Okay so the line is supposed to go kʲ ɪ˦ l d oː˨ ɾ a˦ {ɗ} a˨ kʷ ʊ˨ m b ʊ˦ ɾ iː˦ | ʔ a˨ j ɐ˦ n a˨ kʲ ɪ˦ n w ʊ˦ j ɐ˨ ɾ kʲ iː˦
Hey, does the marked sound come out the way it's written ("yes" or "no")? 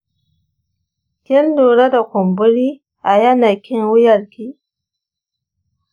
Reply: no